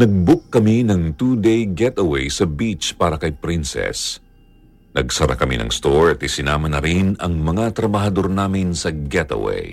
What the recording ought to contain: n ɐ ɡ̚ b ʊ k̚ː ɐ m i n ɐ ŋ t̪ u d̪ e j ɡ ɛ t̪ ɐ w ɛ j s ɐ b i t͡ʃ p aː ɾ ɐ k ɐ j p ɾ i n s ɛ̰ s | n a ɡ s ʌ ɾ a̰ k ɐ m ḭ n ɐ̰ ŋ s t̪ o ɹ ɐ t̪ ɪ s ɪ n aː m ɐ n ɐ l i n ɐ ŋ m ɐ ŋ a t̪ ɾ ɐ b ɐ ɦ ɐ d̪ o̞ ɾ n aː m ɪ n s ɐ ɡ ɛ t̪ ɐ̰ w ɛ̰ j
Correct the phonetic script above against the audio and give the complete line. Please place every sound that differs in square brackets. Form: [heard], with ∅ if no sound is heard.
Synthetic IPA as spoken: n ɐ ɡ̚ b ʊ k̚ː ɐ m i n ɐ ŋ t̪ u d̪ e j ɡ ɛ t̪ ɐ w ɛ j s ɐ b i t͡ʃ p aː ɾ ɐ k ɐ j p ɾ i n s ɛ̰ s | n [ɐ] ɡ s [ɐ] ɾ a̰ k ɐ m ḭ n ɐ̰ ŋ s t̪ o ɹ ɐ t̪ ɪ s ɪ n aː m ɐ n ɐ [ɾ] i n ɐ ŋ m ɐ ŋ a t̪ ɾ ɐ b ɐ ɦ ɐ d̪ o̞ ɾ n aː m ɪ n s ɐ ɡ ɛ t̪ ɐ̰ w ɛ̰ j